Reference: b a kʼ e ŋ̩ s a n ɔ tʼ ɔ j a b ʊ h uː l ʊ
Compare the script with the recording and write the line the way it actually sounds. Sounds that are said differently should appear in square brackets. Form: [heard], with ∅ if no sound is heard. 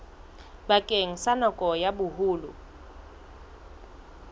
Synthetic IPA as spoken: b a kʼ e ŋ̩ s a n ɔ [kʼ] ɔ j a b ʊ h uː l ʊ